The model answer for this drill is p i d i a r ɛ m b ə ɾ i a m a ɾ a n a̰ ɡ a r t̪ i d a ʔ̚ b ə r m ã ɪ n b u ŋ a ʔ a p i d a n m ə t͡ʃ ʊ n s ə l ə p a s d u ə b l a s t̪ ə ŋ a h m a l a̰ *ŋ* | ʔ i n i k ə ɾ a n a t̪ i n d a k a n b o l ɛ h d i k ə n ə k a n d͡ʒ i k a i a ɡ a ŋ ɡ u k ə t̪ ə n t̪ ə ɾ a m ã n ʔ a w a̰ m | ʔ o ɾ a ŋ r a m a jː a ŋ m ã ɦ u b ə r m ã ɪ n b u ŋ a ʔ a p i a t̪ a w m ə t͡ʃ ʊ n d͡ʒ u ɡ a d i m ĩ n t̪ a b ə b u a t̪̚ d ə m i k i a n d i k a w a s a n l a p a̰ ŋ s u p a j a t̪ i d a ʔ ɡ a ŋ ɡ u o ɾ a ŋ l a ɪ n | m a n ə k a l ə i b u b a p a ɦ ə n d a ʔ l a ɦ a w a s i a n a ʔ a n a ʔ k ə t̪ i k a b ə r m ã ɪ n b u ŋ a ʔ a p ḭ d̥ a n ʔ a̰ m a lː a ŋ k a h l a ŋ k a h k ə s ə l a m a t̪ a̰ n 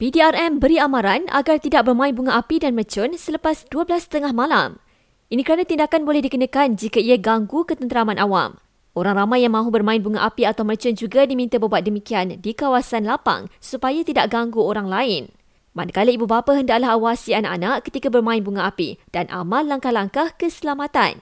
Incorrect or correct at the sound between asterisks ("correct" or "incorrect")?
incorrect